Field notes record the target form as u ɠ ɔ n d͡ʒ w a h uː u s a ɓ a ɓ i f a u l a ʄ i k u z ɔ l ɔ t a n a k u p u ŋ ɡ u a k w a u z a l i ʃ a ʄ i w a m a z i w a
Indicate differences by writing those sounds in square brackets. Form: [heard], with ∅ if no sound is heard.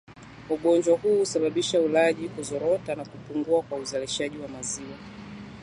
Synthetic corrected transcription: u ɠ ɔ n d͡ʒ w a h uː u s a ɓ a ɓ i [ʃ] a u l a ʄ i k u z ɔ [ɾ] ɔ t a n a k u p u ŋ ɡ u a k w a u z a l i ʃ a ʄ i w a m a z i w a

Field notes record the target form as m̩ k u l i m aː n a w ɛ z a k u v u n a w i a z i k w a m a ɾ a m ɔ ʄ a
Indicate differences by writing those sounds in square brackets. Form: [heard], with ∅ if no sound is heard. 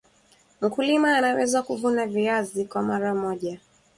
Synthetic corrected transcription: m̩ k u l i m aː n a w ɛ z a k u v u n a [v] i a z i k w a m a ɾ a m ɔ ʄ a

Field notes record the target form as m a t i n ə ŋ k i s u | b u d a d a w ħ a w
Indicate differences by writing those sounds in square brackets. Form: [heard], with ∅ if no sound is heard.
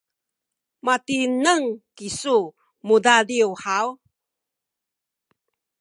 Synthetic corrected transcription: m a t i n ə ŋ k i s u | [m] u d a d [i] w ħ a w

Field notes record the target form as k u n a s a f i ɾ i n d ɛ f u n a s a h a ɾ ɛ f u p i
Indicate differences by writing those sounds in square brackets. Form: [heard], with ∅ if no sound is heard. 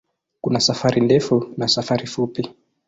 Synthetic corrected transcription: k u n a s a f [a] ɾ i n d ɛ f u n a s a [f] a ɾ [i] f u p i

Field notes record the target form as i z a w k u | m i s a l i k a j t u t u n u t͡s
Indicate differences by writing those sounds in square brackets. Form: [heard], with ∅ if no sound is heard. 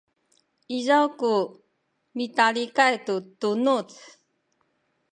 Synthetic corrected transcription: i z a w k u | m i [t] a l i k a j t u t u n u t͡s

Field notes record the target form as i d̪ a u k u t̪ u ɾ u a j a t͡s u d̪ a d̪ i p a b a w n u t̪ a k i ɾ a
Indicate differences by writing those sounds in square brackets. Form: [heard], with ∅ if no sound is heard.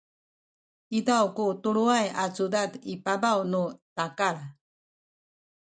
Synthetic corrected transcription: i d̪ a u k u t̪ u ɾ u a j a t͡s u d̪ a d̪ i p a b a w n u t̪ a k [a] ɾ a

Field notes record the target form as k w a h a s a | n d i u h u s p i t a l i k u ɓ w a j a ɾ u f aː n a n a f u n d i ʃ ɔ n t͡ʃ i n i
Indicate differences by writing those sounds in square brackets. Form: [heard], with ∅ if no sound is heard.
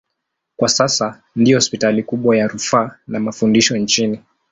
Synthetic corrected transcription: k w a [s] a s a | n d i [ɔ] h [ɔ] s p i t a l i k u ɓ w a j a ɾ u f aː n a [m] a f u n d i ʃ ɔ n t͡ʃ i n i

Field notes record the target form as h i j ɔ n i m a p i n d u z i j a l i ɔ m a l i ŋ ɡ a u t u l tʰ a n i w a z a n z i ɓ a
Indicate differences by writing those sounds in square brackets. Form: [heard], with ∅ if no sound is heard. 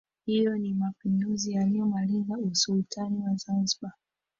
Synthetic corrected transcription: h i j ɔ n i m a p i n d u z i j a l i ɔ m a l i ŋ ɡ a u [s] u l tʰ a n i w a z a n z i ɓ a

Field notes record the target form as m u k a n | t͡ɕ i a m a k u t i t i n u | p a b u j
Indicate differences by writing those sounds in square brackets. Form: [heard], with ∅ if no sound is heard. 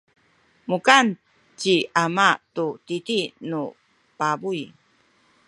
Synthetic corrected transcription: m u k a n | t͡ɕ i a m a [t] u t i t i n u | p a b u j

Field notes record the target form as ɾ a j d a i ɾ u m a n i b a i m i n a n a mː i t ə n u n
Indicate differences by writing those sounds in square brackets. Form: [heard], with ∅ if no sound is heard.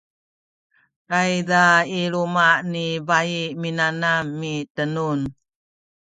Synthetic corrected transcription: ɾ a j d a i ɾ u m a n i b a i m i n a n a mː i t ə n u n

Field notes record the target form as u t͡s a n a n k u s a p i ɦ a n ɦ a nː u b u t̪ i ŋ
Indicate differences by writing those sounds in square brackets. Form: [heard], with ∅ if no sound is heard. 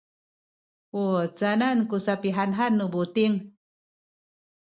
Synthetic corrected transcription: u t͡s a n a n k u s a p i ɦ a n ɦ a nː u b u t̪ i ŋ

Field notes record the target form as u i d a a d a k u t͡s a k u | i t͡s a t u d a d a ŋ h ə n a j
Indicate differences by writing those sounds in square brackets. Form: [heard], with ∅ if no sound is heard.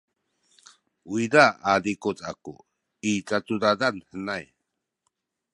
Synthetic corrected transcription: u i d a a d [i] k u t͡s a k u | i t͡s a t u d a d a [n] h ə n a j

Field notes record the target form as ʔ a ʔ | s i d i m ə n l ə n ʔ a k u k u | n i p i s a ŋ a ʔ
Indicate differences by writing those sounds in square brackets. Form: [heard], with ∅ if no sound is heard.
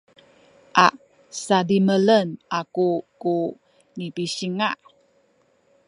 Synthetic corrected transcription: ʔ a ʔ | s [a] d i m ə [∅] l ə n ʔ a k u k u | n i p i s [i] ŋ a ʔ

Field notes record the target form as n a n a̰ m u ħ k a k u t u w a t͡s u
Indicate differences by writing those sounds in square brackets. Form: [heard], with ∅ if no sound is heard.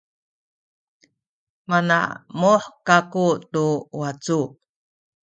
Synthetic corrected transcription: [m] a n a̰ m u ħ k a k u t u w a t͡s u

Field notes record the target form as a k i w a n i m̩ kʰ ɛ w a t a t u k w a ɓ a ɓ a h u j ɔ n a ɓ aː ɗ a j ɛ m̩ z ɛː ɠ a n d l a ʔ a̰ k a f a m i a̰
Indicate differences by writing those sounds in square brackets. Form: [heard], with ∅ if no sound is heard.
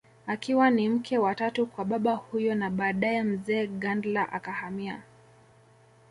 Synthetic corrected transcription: a k i w a n i m̩ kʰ ɛ w a t a t u k w a ɓ a ɓ a h u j ɔ n a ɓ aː ɗ a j ɛ m̩ z ɛː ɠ a n d l a ʔ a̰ k a [h] a m i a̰

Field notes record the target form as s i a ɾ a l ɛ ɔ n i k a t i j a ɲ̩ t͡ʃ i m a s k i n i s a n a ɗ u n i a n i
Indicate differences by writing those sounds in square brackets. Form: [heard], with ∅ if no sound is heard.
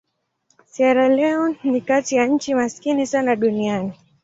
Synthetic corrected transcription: s i a ɾ a l ɛ ɔ n i k a t i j a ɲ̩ t͡ʃ i m a s k i n i s a n a ɗ u n i a n i

